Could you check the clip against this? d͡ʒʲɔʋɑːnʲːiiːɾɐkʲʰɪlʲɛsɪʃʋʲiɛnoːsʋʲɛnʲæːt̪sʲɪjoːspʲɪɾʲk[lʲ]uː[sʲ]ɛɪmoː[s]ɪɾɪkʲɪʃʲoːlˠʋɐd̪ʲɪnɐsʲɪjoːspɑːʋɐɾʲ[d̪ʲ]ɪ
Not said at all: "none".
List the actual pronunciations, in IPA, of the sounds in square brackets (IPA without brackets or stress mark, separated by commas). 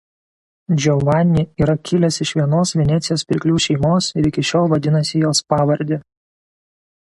lʲ, ʃʲ, s, d̪ʲ